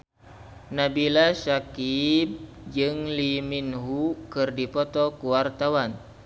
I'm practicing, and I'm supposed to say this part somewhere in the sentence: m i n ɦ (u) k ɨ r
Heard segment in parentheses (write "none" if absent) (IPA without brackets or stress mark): u